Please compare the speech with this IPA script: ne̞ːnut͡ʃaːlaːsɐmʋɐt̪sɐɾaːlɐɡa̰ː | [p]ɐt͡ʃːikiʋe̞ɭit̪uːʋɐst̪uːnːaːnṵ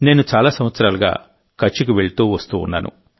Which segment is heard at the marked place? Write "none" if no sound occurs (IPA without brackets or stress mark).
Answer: k